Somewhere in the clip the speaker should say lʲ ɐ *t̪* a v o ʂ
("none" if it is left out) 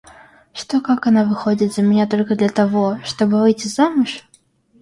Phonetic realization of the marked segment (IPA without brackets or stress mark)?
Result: t̪